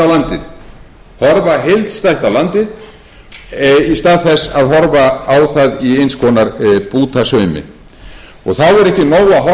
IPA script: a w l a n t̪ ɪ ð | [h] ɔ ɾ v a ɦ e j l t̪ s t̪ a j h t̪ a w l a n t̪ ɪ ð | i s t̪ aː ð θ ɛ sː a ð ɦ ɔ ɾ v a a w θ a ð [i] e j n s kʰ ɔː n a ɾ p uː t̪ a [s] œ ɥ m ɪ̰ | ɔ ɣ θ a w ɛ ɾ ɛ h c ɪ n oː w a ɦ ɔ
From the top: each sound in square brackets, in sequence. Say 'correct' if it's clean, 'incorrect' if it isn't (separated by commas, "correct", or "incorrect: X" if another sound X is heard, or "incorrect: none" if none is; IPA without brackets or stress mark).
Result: correct, correct, correct